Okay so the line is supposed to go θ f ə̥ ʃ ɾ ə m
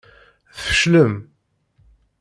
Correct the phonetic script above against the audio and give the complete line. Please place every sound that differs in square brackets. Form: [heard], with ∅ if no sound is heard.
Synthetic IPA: θ f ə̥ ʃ [l] ə m